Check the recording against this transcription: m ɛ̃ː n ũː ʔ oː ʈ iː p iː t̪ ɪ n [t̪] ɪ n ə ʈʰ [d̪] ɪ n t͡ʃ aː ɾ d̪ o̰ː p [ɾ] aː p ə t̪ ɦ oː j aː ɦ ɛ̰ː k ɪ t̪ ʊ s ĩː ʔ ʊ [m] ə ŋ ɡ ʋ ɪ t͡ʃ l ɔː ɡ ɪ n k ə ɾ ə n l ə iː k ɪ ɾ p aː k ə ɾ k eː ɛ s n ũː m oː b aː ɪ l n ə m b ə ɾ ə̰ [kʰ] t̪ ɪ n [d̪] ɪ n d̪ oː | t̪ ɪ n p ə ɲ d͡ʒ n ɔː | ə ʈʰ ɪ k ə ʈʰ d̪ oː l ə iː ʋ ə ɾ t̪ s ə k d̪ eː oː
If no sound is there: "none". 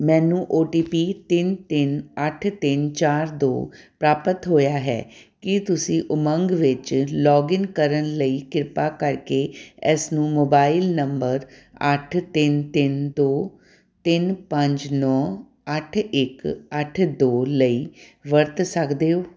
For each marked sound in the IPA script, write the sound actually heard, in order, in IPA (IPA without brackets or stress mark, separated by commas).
t̪, t̪, ɾ, m, ʈʰ, t̪